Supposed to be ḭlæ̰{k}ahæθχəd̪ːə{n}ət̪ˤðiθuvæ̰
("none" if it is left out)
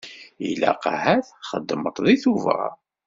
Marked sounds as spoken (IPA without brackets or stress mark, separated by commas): q, m